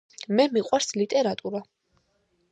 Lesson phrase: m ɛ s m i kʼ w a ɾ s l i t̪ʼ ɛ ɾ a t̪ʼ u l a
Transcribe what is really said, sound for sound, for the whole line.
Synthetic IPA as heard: m ɛ m i qʼ w a ɾ s l i t̪ʼ ɛ ɾ a t̪ʼ u ɾ a